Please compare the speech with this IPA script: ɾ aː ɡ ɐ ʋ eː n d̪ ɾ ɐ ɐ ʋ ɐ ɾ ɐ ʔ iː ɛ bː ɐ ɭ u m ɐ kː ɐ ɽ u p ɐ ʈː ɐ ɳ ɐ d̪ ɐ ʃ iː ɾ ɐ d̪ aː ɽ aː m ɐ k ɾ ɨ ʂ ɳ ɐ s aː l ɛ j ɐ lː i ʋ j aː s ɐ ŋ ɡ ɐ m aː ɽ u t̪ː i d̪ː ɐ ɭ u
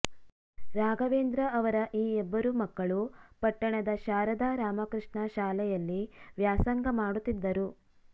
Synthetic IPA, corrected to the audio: ɾ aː ɡ ɐ ʋ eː n d̪ ɾ ɐ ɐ ʋ ɐ ɾ ɐ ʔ iː ɛ bː ɐ ɾ u m ɐ kː ɐ ɭ u p ɐ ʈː ɐ ɳ ɐ d̪ ɐ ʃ aː ɾ ɐ d̪ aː ɾ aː m ɐ k ɾ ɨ ʂ ɳ ɐ ʃ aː l ɛ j ɐ lː i ʋ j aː s ɐ ŋ ɡ ɐ m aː ɽ u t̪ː i d̪ː ɐ ɾ u